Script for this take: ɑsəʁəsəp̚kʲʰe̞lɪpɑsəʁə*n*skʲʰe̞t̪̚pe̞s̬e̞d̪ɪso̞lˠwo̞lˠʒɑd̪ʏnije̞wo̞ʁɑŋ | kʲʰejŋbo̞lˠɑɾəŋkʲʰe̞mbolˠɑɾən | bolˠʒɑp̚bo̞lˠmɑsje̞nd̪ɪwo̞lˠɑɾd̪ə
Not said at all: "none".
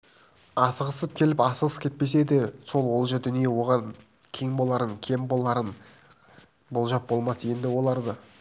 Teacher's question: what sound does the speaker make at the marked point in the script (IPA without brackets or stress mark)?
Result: none